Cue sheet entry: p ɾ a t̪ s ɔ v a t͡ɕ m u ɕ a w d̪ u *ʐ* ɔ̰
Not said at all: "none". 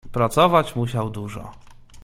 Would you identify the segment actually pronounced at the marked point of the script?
ʐ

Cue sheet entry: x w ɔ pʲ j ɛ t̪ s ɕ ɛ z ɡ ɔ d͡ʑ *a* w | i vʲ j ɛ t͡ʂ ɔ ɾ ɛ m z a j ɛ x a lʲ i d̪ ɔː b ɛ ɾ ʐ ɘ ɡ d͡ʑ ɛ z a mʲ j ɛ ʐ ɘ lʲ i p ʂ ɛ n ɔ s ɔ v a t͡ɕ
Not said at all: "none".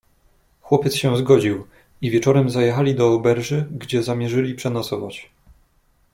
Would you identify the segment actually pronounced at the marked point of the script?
i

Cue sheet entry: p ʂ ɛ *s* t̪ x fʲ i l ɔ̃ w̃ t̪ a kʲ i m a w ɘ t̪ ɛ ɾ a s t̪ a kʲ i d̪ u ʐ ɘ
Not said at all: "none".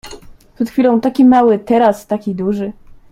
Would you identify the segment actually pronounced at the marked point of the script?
none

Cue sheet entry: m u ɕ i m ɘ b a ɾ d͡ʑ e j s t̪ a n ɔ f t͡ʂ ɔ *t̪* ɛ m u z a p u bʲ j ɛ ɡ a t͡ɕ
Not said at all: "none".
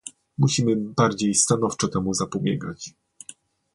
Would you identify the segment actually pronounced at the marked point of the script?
t̪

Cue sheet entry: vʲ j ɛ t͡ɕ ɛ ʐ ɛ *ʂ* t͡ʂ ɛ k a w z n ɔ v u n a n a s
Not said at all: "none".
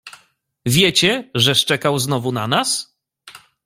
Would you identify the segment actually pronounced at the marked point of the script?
ʂ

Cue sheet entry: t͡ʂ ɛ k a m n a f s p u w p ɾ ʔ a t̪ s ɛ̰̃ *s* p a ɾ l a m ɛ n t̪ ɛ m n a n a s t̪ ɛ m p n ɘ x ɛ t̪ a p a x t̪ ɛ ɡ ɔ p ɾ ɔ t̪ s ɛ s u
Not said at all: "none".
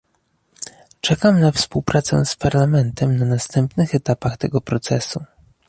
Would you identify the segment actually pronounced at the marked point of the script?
s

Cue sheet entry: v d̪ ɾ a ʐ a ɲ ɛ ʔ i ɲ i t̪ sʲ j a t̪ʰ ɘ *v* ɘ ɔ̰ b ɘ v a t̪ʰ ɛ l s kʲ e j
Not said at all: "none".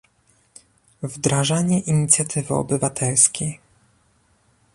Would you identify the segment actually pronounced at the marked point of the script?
v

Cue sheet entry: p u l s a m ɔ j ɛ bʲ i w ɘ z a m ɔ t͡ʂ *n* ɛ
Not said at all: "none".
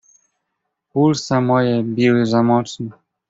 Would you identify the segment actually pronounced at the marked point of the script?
n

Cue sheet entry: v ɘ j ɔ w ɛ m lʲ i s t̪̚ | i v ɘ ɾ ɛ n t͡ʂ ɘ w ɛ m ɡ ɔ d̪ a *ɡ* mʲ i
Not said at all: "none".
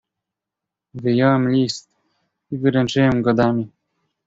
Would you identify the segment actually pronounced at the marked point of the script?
none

